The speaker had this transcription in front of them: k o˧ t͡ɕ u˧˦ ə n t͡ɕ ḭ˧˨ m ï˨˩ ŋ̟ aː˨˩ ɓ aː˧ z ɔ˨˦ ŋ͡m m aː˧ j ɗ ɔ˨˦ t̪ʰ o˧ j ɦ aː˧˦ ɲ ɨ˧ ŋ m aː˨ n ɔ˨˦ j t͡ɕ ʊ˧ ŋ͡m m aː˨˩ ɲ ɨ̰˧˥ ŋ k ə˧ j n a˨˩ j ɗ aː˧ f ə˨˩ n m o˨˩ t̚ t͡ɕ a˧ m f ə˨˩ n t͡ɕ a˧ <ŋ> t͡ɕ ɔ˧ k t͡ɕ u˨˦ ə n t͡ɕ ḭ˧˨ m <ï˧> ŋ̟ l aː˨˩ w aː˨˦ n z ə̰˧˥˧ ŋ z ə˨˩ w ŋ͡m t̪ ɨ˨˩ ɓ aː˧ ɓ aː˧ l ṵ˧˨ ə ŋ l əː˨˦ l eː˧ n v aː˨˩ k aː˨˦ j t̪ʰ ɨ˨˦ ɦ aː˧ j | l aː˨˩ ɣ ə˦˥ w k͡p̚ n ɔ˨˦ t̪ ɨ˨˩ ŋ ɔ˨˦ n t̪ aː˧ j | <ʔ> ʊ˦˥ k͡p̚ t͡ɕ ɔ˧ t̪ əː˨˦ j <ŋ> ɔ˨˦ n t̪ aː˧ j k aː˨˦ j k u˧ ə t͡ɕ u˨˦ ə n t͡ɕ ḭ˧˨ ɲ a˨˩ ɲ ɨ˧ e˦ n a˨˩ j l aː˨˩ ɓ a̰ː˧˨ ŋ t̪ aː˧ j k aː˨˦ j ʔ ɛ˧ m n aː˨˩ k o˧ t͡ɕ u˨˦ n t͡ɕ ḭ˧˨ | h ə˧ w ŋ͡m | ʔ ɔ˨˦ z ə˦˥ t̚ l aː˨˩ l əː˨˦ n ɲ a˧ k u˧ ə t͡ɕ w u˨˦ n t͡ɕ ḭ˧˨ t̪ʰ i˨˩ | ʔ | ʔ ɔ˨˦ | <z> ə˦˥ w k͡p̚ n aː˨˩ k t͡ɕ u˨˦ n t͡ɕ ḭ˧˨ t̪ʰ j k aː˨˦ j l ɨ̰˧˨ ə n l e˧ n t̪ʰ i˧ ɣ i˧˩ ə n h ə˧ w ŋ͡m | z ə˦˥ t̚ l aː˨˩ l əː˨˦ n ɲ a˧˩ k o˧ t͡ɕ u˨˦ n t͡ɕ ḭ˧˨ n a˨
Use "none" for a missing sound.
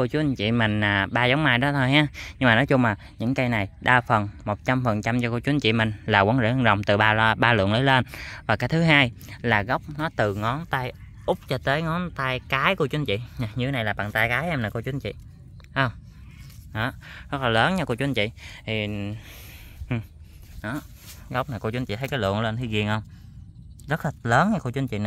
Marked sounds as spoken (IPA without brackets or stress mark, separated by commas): m, ï˨˩, ʔ, ŋ, ɣ